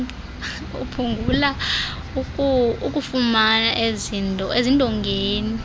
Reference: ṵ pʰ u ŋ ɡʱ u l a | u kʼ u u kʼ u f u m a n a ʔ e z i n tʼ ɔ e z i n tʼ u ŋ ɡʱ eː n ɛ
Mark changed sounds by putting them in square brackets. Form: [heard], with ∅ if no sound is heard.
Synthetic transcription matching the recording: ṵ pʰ u ŋ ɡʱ u l a | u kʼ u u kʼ u f u m a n a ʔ e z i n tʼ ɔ e z i n tʼ [ɔ] ŋ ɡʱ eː n [i]